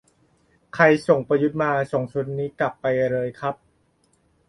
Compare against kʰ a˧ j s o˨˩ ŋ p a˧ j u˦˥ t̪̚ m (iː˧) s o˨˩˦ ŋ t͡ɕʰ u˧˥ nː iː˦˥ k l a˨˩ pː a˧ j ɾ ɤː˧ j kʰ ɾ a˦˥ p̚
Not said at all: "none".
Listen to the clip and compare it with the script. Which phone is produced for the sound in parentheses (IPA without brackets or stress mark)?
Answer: aː˧